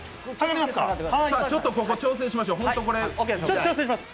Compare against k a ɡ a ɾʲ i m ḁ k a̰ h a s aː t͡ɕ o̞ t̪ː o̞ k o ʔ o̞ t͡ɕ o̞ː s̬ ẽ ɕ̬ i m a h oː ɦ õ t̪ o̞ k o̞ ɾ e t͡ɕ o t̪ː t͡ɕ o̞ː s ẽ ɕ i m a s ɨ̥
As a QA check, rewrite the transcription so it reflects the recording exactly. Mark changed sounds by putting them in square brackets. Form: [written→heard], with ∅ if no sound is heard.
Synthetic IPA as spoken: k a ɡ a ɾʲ i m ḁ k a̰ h a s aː t͡ɕ o̞ t̪ː o̞ k o [ʔ→k] o̞ t͡ɕ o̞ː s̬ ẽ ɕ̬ i m a [h→ɕ] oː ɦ õ t̪ o̞ k o̞ ɾ e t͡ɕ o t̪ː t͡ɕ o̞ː s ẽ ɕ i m a s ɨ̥

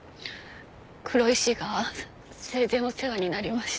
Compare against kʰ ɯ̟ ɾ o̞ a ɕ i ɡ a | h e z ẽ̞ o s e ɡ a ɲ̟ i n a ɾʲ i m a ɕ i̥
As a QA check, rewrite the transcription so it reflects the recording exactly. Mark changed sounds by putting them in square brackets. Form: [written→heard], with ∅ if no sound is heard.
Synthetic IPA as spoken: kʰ ɯ̟ ɾ o̞ [a→i] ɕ i ɡ a | [h→s] e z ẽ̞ o s e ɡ a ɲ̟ i n a ɾʲ i m a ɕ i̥

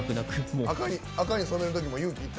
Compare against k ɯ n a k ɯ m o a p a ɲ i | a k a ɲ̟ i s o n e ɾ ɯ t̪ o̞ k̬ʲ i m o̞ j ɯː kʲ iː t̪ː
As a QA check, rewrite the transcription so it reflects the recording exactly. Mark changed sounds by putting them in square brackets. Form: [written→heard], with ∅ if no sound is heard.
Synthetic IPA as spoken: k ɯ n a k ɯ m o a [p→k] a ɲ i | a k a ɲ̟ i s o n e ɾ ɯ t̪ o̞ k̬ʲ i m o̞ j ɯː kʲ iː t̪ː

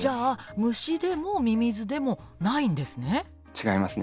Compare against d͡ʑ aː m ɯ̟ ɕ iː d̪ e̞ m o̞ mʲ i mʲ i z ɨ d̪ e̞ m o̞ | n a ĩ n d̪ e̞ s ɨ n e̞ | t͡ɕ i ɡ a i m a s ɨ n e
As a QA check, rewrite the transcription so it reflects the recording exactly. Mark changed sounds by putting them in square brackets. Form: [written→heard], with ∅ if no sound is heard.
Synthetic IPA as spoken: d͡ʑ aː m ɯ̟ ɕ [iː→i] d̪ e̞ m o̞ mʲ i mʲ i z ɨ d̪ e̞ m o̞ | n a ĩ n d̪ e̞ s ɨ n e̞ | t͡ɕ i ɡ a i m a s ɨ n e

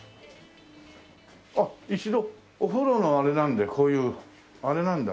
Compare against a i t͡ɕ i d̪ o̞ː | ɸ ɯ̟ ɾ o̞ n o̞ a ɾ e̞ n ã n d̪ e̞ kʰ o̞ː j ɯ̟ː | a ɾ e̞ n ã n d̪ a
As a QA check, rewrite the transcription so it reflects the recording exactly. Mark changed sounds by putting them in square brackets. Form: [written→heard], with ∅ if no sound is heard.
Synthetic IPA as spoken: a i t͡ɕ i d̪ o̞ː | ɸ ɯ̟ ɾ o̞ n o̞ a ɾ e̞ n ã n d̪ e̞ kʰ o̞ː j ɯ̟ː | a ɾ e̞ n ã n d̪ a

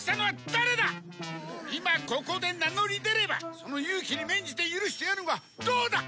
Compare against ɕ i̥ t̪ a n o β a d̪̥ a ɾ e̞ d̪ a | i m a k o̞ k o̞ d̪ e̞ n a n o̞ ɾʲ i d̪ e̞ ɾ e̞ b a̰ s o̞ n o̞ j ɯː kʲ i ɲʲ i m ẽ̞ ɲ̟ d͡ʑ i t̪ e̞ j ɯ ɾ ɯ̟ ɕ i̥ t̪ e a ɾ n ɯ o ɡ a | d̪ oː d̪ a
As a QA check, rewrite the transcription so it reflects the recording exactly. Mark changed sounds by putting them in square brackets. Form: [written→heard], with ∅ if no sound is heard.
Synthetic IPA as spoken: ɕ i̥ t̪ a n o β a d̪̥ a ɾ e̞ d̪ a | i m a k o̞ k o̞ d̪ e̞ n a n o̞ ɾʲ i d̪ e̞ ɾ e̞ b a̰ s o̞ n o̞ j ɯː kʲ i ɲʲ i m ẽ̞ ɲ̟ d͡ʑ i t̪ e̞ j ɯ ɾ ɯ̟ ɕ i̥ t̪ e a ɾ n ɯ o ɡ a | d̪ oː d̪ a

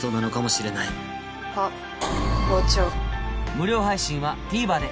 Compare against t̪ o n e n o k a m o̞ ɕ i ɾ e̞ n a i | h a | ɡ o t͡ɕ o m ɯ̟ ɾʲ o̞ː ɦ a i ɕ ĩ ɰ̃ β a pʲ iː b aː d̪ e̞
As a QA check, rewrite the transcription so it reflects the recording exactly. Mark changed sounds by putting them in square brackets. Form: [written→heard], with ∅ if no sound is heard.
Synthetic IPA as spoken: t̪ o n [e→a] n o k a m o̞ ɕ i ɾ e̞ n a i | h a | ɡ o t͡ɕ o m ɯ̟ ɾʲ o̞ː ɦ a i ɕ ĩ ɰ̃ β a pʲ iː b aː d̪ e̞

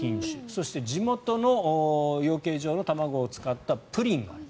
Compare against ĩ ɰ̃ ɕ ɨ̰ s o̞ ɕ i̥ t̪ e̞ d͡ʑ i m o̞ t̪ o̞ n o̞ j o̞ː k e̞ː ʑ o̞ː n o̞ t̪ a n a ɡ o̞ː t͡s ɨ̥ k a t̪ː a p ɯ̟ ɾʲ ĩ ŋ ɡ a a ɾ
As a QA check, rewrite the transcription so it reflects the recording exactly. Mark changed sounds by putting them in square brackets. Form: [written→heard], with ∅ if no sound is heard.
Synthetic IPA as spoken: ĩ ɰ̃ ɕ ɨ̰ s o̞ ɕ i̥ t̪ e̞ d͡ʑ i m o̞ t̪ o̞ n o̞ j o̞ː k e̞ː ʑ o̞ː n o̞ t̪ a [n→m] a ɡ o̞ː t͡s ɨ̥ k a t̪ː a p ɯ̟ ɾʲ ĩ ŋ ɡ a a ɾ

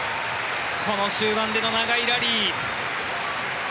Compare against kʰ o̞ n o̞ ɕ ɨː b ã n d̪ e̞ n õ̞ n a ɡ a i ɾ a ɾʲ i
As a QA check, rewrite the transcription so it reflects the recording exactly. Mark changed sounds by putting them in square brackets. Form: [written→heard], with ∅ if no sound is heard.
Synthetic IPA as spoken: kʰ o̞ n o̞ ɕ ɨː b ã n d̪ e̞ n [õ̞→o̞] n a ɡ a i ɾ a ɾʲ i

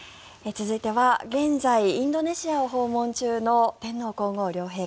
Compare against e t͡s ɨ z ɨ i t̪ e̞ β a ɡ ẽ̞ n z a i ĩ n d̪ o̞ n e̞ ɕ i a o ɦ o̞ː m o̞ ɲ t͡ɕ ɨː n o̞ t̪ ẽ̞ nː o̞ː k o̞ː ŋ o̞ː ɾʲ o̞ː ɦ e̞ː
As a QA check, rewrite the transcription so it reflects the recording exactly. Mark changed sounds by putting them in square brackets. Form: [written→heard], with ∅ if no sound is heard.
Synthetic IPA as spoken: e t͡s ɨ z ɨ i t̪ e̞ β a ɡ ẽ̞ n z a i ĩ n d̪ o̞ n e̞ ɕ i a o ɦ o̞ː m [o̞→õ̞] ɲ t͡ɕ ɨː n o̞ t̪ ẽ̞ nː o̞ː k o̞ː ŋ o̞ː ɾʲ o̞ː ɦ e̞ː

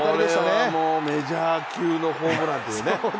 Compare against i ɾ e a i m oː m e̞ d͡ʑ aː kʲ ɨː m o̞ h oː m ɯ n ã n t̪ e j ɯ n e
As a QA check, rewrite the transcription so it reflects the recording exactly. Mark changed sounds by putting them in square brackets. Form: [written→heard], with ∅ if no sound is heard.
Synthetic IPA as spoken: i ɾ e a [i→a] m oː m e̞ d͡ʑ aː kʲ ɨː [m→n] o̞ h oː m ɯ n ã n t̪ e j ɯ n e

